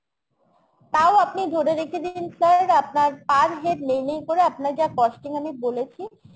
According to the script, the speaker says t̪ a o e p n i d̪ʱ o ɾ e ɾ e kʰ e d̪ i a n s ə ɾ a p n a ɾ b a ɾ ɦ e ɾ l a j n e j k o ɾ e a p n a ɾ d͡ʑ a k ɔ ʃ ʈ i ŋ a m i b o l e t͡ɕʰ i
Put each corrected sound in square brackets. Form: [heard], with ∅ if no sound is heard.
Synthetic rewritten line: t̪ a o [a] p n i d̪ʱ o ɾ e ɾ e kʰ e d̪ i [i] n s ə ɾ a p n a ɾ [p] a ɾ ɦ e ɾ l [e] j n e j k o ɾ e a p n a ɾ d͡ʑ a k ɔ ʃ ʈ i ŋ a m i b o l e t͡ɕʰ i

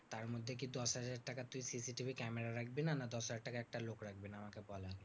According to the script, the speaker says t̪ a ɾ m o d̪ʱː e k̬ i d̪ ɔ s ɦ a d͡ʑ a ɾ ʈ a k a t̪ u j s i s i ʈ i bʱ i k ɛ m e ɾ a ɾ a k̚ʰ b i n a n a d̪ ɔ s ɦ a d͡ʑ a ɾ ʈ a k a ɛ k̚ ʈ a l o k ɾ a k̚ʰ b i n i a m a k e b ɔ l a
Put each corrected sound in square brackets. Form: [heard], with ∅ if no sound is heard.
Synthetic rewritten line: t̪ a ɾ m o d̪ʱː e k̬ i d̪ ɔ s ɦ a d͡ʑ a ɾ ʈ a k a t̪ u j s i s i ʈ i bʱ i k ɛ m e ɾ a ɾ a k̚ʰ b i n a n a d̪ ɔ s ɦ a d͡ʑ a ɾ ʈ a k a ɛ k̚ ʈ a l o k ɾ a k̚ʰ b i n [a] a m a k e b ɔ l a

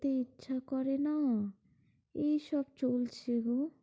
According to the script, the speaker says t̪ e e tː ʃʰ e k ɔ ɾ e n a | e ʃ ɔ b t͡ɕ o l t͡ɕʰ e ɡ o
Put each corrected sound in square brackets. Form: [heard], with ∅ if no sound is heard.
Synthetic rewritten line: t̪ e [i] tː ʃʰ [a] k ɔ ɾ e n a | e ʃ ɔ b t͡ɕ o l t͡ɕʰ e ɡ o

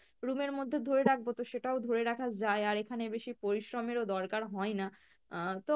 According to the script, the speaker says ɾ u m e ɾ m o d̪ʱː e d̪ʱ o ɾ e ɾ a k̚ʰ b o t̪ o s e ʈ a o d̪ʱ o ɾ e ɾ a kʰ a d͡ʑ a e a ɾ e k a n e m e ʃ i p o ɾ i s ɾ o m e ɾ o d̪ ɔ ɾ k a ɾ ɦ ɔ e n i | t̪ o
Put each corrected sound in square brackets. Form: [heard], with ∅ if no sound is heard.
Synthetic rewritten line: ɾ u m e ɾ m o d̪ʱː e d̪ʱ o ɾ e ɾ a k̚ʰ b o t̪ o [ʃ] e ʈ a o d̪ʱ o ɾ e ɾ a kʰ a d͡ʑ a e a ɾ e [kʰ] a n e [b] e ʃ i p o ɾ i [ʃ] ɾ o m e ɾ o d̪ ɔ ɾ k a ɾ ɦ ɔ e n [a] | t̪ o

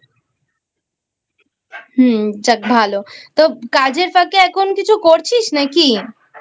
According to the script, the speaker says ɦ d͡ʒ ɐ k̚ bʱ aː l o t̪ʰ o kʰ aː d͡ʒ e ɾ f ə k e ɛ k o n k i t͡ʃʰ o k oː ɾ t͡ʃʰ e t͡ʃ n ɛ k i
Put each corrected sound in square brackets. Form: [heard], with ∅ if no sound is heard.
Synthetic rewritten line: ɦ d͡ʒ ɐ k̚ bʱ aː l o [t̪] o [k] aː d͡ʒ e ɾ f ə k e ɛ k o n k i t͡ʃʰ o k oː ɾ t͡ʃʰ [i] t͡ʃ n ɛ k i

